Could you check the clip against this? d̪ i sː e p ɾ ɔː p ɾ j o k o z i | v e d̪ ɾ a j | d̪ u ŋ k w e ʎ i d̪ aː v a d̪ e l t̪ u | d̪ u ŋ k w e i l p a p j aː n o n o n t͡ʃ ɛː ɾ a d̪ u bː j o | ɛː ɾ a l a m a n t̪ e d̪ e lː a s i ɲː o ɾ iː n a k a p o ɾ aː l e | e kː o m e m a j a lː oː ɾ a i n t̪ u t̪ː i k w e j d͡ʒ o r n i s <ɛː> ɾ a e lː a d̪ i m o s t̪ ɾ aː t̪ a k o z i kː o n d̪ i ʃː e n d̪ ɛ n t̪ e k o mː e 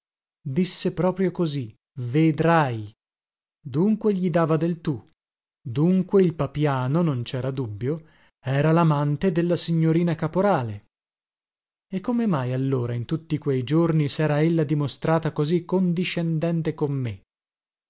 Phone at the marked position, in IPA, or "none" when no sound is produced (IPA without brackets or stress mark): ɛː